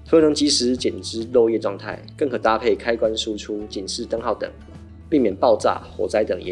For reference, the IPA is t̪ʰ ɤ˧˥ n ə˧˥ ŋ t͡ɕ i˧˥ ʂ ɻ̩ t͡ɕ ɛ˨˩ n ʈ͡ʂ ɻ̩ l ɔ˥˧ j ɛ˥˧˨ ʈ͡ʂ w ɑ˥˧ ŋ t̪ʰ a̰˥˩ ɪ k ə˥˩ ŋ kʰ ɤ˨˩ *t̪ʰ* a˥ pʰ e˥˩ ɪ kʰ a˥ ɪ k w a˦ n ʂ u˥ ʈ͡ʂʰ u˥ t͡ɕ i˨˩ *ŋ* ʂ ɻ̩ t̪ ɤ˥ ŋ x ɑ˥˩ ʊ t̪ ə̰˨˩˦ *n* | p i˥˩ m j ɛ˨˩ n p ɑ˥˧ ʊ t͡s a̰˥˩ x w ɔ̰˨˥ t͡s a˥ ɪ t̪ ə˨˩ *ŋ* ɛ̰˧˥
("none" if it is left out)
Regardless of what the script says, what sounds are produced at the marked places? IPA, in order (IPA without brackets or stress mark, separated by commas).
t̪, n, ŋ, ŋ